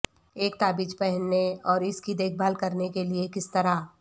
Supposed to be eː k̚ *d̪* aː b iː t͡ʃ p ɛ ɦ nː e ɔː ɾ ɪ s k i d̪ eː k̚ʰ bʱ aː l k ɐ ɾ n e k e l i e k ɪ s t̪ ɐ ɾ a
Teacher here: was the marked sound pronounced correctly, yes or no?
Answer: no